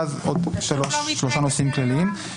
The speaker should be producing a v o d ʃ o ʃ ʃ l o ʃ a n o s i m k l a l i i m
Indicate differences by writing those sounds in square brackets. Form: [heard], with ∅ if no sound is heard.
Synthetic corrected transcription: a [z] o d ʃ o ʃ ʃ l o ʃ a n o s i m k l a l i i m